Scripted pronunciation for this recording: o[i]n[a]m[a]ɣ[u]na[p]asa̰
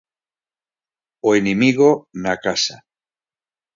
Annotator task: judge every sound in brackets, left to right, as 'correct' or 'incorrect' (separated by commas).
incorrect, incorrect, incorrect, incorrect, incorrect